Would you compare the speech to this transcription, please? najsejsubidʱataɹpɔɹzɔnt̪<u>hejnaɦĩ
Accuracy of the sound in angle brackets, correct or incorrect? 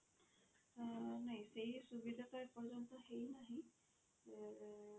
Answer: incorrect